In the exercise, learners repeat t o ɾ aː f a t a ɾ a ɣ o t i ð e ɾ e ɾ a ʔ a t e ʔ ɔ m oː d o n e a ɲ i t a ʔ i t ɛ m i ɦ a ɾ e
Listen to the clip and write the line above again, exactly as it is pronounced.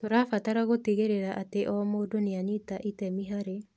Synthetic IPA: t o ɾ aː f a t a ɾ a ɣ o t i ɣ e ɾ e ɾ a ʔ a t e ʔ ɔ m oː d o n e a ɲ i t a ʔ i t ɛ m i ɦ a ɾ e